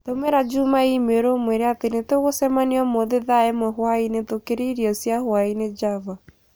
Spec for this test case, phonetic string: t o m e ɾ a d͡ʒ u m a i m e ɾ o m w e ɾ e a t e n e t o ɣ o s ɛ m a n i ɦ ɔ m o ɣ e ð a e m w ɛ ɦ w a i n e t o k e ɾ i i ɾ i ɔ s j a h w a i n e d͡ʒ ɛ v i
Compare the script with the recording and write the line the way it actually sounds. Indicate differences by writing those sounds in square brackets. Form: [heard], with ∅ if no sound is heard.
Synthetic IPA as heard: t o m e ɾ a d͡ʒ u m a i m e ɾ o m w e ɾ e a t e n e t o ɣ o s ɛ m a n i [∅] ɔ m o [ð] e ð a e m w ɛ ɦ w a i n e t o k e ɾ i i ɾ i ɔ s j a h w a i n e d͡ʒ [a] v [a]